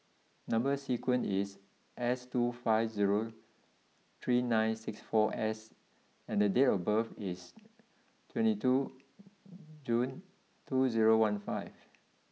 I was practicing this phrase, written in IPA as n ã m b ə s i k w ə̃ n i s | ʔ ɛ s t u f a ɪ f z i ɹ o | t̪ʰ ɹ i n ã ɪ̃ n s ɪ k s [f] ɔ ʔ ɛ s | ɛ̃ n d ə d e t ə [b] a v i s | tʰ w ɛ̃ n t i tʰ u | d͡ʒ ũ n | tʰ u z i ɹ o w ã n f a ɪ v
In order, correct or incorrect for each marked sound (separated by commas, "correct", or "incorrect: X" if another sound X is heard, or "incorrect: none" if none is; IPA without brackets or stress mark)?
correct, correct